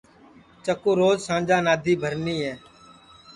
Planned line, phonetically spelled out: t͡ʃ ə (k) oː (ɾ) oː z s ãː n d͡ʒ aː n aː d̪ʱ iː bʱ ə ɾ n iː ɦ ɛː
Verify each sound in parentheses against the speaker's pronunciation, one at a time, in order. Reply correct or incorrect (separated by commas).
correct, correct